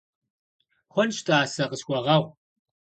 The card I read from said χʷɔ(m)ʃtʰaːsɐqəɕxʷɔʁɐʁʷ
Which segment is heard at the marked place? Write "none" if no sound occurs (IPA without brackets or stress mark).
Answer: n